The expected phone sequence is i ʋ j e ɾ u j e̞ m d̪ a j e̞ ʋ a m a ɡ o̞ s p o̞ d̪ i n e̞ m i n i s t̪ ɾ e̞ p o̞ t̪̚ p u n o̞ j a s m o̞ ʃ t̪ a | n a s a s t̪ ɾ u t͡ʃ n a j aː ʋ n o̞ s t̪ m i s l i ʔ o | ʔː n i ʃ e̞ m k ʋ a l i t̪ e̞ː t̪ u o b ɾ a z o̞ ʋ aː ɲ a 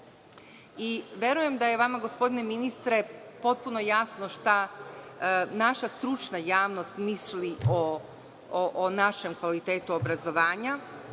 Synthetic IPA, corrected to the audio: i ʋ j e ɾ u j e̞ m d̪ a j e̞ ʋ a m a ɡ o̞ s p o̞ d̪ i n e̞ m i n i s t̪ ɾ e̞ p o̞ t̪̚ p u n o̞ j a s n o̞ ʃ t̪ a | n a ʃ a s t̪ ɾ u t͡ʃ n a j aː ʋ n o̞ s t̪ m i s l i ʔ o | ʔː n a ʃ e̞ m k ʋ a l i t̪ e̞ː t̪ u o b ɾ a z o̞ ʋ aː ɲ a